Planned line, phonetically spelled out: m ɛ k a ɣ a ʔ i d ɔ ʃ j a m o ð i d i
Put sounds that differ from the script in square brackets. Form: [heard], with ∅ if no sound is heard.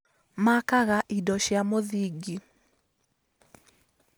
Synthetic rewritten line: m [a] k a ɣ a ʔ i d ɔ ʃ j a m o ð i [ɡ] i